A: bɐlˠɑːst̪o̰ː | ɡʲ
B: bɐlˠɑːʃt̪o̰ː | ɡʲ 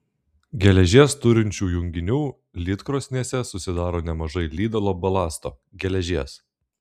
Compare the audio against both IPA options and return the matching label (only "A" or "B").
A